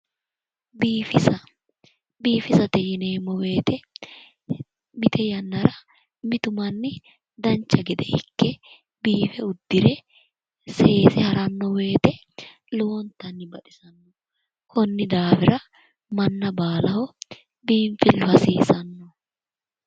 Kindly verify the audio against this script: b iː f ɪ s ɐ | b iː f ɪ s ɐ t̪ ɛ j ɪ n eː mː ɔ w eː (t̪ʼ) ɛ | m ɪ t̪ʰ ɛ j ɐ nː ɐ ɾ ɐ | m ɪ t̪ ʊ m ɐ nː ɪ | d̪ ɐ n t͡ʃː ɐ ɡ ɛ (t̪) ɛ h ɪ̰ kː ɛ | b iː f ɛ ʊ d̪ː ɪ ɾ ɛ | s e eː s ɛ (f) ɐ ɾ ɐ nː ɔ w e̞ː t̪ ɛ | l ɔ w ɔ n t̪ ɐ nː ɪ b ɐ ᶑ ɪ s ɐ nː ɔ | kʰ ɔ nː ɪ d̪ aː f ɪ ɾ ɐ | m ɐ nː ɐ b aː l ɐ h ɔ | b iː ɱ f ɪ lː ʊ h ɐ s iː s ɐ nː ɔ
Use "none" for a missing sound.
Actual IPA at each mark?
t̪, d̪, h

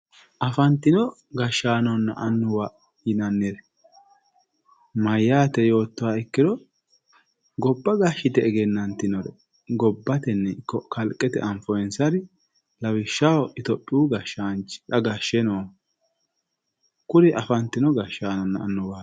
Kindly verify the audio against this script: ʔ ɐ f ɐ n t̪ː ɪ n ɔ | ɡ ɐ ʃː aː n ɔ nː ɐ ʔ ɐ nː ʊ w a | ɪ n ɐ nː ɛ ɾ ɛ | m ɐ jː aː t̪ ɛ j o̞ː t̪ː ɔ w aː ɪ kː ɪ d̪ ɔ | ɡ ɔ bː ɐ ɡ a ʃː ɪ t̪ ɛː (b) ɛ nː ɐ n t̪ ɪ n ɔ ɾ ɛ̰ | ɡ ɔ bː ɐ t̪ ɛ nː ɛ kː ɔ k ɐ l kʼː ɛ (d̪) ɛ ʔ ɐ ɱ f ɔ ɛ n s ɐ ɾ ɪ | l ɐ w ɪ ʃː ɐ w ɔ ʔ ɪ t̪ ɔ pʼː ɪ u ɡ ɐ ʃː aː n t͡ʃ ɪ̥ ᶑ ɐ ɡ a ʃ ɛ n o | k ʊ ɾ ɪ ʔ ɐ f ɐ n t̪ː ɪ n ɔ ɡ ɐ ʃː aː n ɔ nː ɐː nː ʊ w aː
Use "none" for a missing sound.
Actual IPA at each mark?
ɡ, t̪

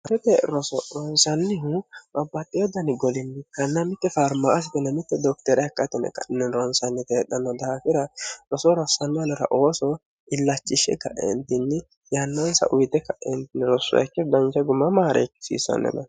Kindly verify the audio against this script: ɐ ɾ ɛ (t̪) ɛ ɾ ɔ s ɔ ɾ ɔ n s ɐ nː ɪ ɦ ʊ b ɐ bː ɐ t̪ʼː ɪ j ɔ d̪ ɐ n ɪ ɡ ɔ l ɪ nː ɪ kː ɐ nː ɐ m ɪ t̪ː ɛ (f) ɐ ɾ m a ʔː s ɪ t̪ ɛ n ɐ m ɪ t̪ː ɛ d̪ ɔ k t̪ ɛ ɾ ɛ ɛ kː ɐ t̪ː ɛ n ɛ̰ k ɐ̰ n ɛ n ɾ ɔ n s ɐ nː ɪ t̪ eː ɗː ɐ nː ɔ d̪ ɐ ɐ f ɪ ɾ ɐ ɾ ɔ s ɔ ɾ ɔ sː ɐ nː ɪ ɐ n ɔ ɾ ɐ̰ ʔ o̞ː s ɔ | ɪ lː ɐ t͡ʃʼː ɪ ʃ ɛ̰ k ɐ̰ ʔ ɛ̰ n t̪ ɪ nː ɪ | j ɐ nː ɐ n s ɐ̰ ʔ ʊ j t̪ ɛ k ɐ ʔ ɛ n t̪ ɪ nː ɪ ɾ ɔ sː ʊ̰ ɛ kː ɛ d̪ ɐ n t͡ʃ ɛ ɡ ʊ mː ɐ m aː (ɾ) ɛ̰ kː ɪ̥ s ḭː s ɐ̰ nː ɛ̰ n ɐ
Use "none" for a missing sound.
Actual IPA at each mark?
t̪, f, ɾ

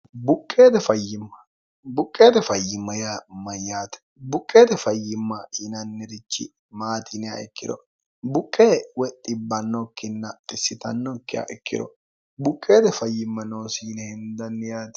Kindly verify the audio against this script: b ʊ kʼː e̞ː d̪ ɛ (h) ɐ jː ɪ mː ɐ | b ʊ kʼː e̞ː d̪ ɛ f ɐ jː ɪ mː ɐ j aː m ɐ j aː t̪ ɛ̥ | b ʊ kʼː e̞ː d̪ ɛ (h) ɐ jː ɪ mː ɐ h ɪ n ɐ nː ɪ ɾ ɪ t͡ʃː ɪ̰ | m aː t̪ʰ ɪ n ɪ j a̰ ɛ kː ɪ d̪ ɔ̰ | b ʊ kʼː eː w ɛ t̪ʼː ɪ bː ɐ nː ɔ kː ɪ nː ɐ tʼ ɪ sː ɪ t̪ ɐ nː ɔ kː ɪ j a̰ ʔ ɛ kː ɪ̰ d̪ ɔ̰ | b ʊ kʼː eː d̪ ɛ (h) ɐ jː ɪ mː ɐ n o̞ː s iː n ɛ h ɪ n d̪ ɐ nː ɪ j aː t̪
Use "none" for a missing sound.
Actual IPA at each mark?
f, f, f

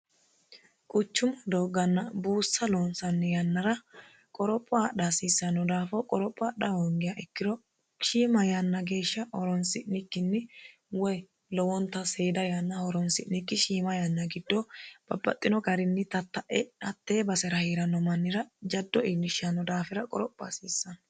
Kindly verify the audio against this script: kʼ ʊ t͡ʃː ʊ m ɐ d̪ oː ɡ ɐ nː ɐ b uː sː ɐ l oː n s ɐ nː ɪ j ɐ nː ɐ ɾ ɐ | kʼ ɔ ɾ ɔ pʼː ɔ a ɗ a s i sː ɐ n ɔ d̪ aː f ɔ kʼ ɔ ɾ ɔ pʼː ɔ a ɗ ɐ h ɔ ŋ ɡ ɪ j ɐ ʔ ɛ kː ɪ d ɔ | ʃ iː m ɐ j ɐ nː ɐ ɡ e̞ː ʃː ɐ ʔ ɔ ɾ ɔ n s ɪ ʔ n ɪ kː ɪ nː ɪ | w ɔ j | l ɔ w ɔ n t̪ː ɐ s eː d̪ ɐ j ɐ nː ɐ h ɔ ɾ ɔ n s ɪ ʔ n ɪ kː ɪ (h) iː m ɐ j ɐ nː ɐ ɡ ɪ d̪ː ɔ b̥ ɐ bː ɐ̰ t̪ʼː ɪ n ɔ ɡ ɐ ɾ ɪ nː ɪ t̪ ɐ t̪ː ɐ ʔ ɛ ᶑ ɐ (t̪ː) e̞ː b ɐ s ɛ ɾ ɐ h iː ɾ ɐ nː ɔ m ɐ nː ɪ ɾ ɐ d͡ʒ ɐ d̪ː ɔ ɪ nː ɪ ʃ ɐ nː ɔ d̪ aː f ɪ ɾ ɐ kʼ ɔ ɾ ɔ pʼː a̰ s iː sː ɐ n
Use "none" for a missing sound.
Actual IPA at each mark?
ʃ, t̪ː

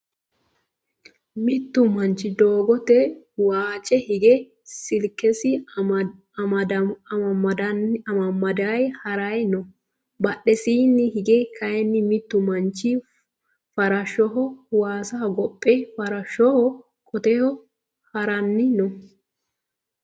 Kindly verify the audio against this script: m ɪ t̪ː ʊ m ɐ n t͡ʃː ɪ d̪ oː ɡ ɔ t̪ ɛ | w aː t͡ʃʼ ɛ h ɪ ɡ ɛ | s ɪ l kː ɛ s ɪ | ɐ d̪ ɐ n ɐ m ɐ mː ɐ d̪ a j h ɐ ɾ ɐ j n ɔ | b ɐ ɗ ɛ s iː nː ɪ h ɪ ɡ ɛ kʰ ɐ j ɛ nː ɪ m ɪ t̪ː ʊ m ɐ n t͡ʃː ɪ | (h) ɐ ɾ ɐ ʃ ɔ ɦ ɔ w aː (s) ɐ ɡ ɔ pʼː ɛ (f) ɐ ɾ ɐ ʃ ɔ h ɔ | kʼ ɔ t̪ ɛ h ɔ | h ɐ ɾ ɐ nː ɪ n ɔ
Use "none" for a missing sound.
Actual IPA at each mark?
f, s, f

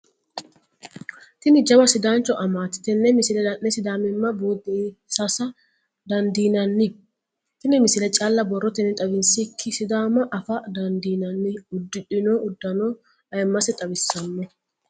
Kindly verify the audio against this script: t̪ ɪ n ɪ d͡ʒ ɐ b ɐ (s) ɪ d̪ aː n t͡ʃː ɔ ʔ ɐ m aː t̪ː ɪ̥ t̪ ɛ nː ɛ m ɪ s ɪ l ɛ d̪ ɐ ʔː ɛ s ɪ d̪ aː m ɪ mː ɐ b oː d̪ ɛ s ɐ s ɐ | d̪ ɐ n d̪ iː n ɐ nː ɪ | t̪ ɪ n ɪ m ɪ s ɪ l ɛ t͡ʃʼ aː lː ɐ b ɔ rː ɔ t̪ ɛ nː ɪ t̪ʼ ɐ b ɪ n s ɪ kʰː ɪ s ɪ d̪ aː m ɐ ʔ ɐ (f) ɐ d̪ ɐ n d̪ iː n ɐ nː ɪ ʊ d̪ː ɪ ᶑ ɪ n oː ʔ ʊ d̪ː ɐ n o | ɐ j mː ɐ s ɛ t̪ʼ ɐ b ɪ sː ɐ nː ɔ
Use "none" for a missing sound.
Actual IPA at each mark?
s, f

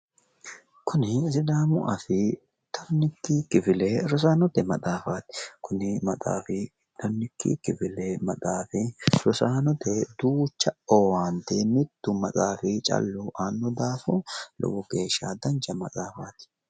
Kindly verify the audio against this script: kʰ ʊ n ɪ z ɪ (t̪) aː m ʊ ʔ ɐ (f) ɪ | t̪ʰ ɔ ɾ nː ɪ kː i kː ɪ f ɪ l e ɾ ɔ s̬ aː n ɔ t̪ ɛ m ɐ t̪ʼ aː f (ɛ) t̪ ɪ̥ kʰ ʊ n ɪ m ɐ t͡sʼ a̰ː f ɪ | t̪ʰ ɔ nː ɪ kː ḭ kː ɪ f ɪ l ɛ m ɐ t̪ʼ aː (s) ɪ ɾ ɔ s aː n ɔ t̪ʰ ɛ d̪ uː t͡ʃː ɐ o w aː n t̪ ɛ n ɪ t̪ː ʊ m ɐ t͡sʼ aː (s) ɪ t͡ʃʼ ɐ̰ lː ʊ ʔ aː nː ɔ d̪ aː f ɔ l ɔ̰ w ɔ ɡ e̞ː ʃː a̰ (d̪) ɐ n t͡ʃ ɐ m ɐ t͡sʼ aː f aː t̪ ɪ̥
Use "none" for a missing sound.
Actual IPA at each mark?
d̪, f, a, f, f, d̪

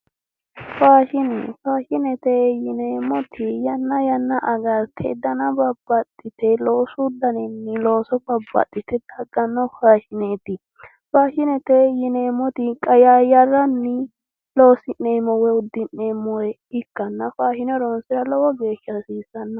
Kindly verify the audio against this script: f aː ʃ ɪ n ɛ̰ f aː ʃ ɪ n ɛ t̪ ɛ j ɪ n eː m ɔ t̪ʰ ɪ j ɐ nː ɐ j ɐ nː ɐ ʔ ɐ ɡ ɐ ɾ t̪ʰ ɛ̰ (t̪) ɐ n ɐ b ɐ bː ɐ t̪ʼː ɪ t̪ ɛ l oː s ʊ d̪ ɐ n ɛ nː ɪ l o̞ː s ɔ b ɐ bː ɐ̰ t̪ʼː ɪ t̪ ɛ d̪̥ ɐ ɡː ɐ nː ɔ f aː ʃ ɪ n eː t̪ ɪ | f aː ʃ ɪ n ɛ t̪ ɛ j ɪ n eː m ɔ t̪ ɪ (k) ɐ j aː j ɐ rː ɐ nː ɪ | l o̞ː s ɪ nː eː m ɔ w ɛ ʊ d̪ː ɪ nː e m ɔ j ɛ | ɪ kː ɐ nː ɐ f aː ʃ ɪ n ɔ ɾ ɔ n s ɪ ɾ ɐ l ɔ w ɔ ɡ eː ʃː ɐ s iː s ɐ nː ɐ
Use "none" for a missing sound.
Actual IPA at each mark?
d̪, kʼ

